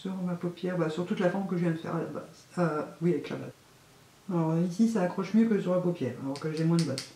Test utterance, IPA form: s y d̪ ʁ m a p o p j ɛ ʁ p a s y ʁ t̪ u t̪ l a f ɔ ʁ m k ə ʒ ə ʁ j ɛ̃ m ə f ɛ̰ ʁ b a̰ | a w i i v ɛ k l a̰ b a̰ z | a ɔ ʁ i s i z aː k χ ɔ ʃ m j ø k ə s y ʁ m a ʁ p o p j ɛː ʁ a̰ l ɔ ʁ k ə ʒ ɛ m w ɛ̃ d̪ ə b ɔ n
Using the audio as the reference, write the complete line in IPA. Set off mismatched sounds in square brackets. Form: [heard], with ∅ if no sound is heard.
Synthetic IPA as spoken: s y [∅] ʁ m a p o p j ɛ ʁ [b] a s y ʁ t̪ u t̪ l a f ɔ ʁ m k ə ʒ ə [v] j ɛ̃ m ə f ɛ̰ ʁ b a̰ | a w i [a] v ɛ k l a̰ b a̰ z | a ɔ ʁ i s i [s] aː k χ ɔ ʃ m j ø k ə s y ʁ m a [∅] p o p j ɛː ʁ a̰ l ɔ ʁ k ə ʒ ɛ m w ɛ̃ d̪ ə b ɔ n